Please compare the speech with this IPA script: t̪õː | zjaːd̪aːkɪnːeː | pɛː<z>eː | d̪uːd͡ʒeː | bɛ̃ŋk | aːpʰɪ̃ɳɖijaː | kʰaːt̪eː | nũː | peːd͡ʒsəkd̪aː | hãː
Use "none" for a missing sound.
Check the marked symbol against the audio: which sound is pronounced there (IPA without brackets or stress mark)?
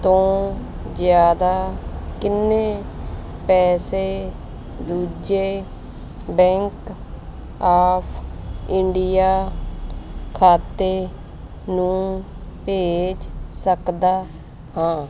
s